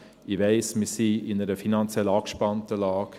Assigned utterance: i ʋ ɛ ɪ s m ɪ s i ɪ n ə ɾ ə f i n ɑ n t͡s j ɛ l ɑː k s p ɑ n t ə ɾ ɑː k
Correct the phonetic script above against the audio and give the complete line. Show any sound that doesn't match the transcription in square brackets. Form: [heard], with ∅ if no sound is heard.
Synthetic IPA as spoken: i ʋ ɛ ɪ s m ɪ s i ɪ n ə ɾ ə f i n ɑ n t͡s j ɛ l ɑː k [ʃ] p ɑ n t ə [l] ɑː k